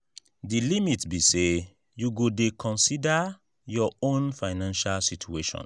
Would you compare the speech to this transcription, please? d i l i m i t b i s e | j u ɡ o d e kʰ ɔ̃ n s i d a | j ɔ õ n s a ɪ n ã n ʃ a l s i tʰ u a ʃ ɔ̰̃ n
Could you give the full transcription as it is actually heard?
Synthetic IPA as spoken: d i l i m i t b i s e | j u ɡ o d e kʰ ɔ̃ n s i d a | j ɔ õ n f a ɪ n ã n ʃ a l s i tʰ u e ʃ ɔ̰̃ n